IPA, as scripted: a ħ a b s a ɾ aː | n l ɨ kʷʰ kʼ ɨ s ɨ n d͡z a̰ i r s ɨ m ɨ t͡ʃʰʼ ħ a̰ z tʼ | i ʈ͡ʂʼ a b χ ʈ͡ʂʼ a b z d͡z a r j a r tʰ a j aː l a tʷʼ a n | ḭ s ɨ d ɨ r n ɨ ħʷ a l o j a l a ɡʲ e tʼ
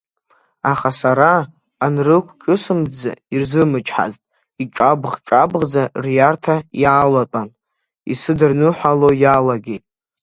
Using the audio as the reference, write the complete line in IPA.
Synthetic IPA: a χ a s a ɾ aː | n r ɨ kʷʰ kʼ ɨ s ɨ m d͡z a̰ i r z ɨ m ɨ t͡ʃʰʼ ħ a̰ z tʼ | i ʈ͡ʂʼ a b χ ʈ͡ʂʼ a b ʁ d͡z a r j a r tʰ a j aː l a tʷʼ a n | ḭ s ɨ d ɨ r n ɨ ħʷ a l o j a l a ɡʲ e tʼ